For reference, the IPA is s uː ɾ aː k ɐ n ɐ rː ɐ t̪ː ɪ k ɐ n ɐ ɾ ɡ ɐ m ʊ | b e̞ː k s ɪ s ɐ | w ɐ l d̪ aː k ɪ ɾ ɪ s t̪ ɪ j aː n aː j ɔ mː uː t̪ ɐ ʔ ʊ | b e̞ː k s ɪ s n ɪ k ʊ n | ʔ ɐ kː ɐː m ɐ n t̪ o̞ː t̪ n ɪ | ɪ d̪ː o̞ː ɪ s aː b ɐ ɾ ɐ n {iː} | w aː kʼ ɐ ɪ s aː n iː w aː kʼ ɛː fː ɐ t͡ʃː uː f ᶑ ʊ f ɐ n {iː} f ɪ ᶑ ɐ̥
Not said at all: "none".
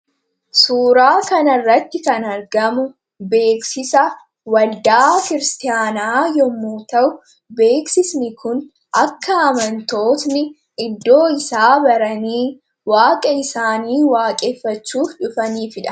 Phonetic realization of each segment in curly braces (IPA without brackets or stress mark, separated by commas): iː, iː